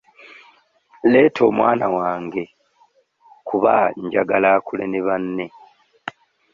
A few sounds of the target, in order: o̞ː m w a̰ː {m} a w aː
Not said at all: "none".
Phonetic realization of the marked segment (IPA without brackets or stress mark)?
n